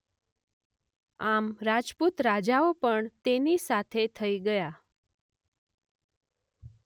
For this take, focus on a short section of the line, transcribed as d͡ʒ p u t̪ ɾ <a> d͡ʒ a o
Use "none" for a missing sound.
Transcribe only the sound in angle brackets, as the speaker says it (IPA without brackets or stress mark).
a